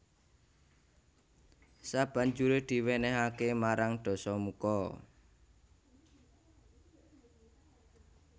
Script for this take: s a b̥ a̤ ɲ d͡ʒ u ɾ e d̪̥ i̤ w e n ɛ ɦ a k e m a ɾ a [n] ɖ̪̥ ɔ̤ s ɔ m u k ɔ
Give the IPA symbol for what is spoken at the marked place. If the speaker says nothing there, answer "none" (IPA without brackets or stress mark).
ŋ